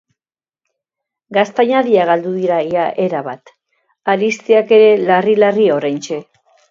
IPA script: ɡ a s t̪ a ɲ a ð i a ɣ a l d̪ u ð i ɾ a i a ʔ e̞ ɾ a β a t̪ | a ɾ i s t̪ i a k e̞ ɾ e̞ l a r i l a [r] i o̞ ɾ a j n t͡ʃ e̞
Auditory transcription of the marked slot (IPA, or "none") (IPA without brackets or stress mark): r